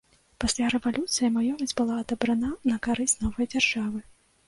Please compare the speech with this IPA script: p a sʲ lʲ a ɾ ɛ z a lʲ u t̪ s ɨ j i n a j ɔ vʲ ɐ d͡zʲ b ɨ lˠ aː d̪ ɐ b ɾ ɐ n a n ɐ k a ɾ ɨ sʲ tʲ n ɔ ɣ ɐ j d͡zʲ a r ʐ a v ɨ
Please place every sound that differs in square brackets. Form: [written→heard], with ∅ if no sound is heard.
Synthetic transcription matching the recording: p a sʲ lʲ a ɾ ɛ [z→v] a lʲ u t̪ s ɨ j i [n→m] a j ɔ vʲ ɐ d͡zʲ b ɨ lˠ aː d̪ ɐ b ɾ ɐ n a n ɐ k a ɾ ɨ sʲ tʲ n ɔ [ɣ→v] ɐ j d͡zʲ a r ʐ a v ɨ